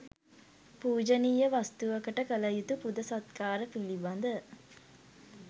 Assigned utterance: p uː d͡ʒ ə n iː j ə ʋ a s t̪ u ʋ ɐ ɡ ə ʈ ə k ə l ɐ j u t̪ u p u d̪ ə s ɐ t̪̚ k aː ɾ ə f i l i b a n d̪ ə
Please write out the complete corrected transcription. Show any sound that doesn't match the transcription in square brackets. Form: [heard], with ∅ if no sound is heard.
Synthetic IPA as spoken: p uː d͡ʒ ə n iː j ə ʋ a s t̪ u ʋ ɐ [k] ə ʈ ə k ə l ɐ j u t̪ u p u d̪ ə s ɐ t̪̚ k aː ɾ ə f i l i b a n d̪ ə